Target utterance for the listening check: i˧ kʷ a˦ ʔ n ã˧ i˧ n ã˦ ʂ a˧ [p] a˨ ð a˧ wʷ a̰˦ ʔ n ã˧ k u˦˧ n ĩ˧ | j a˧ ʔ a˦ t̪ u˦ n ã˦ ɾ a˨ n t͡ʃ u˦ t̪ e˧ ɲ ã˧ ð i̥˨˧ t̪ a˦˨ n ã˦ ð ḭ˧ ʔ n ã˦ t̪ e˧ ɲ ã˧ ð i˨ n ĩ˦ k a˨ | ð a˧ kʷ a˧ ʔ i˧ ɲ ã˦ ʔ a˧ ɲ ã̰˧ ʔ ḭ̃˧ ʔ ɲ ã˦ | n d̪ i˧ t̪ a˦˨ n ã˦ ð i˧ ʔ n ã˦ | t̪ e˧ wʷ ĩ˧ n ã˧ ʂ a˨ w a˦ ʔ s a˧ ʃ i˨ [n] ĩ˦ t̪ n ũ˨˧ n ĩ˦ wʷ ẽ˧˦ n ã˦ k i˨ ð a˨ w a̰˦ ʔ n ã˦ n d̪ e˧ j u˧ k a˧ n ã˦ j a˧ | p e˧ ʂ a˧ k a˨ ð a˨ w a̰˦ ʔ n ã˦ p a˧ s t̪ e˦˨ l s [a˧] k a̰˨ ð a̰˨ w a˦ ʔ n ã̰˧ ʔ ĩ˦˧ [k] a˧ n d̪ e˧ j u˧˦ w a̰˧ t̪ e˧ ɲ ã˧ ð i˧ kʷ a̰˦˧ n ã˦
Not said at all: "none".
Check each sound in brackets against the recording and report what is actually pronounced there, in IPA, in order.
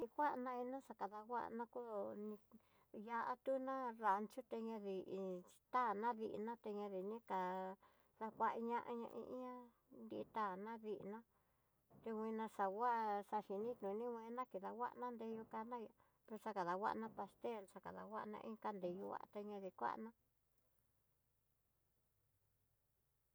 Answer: k, n, a˧, k

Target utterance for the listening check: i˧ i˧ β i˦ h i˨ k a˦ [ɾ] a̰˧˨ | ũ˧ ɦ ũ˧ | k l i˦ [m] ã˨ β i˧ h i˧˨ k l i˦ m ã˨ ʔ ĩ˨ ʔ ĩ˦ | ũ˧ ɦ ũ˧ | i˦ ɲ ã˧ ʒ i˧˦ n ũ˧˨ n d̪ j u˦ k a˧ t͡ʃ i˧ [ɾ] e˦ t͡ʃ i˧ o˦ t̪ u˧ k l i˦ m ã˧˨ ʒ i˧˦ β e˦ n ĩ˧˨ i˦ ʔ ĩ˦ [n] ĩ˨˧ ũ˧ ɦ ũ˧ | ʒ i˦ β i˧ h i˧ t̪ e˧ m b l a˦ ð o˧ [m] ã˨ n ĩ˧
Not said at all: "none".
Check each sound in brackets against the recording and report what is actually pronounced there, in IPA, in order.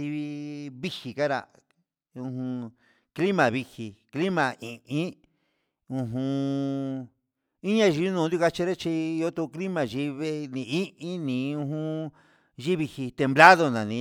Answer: ɾ, m, ɾ, n, n

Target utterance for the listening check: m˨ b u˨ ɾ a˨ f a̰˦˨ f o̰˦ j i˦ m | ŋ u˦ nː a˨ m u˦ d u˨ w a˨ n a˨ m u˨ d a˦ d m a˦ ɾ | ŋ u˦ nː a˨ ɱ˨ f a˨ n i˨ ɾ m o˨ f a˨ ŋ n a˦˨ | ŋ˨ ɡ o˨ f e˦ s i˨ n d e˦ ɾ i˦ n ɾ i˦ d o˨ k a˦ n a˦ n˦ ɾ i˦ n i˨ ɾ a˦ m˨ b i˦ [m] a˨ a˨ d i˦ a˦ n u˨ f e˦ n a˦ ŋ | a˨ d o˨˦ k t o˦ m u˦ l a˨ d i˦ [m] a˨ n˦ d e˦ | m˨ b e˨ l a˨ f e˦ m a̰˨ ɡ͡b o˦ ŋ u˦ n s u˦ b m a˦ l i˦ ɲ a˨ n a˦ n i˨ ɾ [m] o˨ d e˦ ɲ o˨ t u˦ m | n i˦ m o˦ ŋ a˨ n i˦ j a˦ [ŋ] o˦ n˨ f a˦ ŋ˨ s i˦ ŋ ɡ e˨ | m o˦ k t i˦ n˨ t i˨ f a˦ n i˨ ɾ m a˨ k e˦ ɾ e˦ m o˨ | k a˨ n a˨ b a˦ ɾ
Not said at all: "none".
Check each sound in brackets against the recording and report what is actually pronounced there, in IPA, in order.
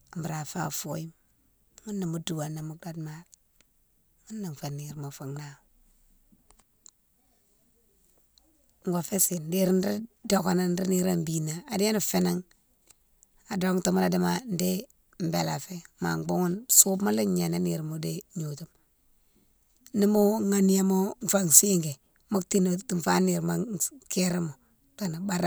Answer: n, m, m, m

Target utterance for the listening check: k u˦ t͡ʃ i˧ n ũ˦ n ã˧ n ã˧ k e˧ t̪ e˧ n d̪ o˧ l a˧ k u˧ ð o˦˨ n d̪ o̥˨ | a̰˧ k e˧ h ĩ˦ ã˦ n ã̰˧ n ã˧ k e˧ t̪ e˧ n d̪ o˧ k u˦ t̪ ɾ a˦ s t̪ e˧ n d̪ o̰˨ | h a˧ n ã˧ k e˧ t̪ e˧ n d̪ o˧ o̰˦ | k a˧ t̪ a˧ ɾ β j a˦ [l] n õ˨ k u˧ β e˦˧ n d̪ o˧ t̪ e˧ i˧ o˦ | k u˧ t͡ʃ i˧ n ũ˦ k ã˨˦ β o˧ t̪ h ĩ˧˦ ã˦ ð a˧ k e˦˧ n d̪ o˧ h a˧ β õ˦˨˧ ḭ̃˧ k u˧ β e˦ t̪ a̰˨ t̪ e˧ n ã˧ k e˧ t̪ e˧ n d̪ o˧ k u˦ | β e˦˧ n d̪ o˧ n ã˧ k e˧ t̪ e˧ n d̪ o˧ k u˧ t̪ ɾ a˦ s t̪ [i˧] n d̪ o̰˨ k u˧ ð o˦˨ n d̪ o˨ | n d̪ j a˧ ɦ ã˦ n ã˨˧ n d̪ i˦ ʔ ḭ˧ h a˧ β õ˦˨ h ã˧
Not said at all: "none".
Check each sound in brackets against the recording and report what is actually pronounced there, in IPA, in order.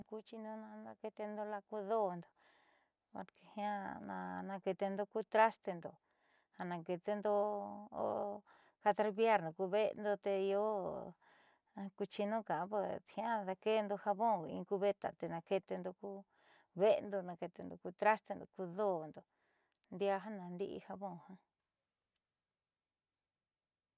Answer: ɾ, e˧

